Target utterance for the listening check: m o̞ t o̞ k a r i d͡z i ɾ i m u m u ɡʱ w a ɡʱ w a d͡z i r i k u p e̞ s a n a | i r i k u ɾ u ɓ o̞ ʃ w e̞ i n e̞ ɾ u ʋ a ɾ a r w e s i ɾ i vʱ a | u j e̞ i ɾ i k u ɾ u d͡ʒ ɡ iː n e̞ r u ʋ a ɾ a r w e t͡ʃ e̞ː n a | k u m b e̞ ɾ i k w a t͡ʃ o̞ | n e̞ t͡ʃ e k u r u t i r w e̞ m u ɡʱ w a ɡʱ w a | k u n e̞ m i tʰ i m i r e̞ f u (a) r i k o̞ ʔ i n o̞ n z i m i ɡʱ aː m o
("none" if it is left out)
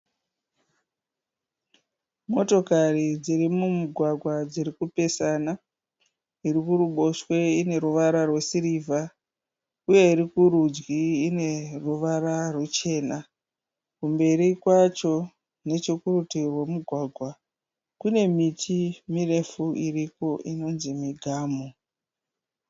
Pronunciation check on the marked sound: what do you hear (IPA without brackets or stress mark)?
i